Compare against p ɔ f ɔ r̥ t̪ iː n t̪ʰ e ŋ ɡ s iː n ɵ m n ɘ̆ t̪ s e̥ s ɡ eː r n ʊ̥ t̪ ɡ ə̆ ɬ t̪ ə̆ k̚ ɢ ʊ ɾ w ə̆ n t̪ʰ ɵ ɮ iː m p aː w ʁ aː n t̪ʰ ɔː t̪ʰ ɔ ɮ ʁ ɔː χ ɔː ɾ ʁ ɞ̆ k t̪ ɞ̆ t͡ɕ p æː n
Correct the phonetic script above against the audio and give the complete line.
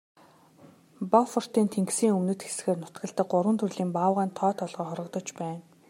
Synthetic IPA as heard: p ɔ f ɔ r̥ t̪ iː n t̪ʰ e ŋ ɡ s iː ŋ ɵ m n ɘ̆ t̪ x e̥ s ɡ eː r n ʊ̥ t̪ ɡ ə̆ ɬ t̪ ə̆ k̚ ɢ ʊ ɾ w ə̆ n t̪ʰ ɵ ɮ iː m p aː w ʁ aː n t̪ʰ ɔː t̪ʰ ɔ ɮ ʁ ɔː χ ɔ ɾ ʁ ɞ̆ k t̪ ɞ̆ t͡ɕ p æː n